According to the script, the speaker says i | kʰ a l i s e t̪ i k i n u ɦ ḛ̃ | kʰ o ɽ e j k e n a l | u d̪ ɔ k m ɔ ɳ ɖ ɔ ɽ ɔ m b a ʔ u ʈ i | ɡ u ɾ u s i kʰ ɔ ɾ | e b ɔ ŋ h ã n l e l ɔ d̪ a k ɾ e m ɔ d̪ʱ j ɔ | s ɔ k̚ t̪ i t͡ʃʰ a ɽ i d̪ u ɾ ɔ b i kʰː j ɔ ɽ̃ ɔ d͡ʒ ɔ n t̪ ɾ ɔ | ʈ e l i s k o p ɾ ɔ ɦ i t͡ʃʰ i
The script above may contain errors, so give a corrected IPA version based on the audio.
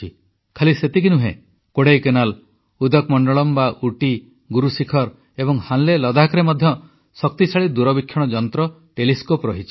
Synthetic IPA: i | kʰ a l i s e t̪ i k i n u ɦ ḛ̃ | k o ɽ e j k e n a l | u d̪ ɔ k m ɔ ɳ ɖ ɔ ɭ ɔ m b a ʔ u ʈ i | ɡ u ɾ u s i kʰ ɔ ɾ | e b ɔ ŋ h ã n l e l ɔ d̪ a k ɾ e m ɔ d̪ʱ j ɔ | s ɔ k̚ t̪ i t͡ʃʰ a ɭ i d̪ u ɾ ɔ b i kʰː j ɔ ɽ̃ ɔ d͡ʒ ɔ n t̪ ɾ ɔ | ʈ e l i s k o p ɾ ɔ ɦ i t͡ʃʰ i